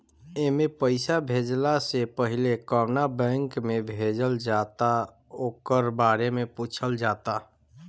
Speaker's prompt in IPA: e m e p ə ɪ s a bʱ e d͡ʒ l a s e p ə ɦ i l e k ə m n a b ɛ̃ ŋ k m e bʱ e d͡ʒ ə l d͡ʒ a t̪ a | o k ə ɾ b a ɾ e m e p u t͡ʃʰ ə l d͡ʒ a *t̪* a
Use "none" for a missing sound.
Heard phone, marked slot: t̪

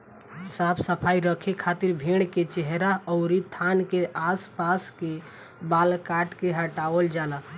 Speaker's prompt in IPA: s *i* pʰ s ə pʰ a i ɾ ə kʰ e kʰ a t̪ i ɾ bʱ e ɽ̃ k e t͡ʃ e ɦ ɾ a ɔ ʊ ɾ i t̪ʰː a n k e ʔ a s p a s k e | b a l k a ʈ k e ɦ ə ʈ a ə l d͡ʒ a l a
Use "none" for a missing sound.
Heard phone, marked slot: a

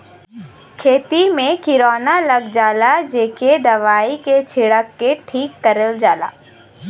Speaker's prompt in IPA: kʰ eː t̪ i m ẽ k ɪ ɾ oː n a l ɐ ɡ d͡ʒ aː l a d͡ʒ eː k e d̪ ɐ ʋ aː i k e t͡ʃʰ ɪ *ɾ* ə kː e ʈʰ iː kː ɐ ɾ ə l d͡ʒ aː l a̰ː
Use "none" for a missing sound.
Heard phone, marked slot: ɽ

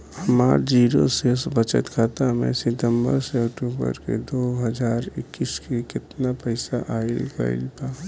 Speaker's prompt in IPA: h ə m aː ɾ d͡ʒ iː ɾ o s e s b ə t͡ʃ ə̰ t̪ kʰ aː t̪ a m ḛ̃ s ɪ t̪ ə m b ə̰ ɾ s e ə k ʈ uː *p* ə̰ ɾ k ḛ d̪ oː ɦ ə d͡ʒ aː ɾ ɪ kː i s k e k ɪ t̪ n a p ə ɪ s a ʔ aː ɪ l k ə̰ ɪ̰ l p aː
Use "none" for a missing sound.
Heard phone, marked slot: b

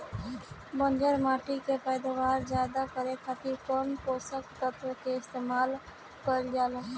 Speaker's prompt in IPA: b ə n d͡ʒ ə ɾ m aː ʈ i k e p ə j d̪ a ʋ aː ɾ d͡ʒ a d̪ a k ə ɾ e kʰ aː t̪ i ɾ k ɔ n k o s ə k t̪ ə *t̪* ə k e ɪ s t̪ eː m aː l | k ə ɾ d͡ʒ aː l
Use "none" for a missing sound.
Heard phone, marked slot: t̪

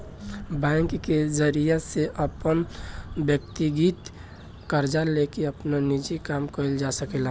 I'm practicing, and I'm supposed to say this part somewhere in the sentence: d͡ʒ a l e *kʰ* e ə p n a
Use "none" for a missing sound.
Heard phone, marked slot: k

